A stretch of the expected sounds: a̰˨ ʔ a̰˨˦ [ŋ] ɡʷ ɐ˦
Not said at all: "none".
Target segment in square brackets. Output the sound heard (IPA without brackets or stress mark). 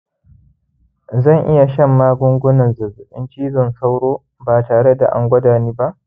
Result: ŋ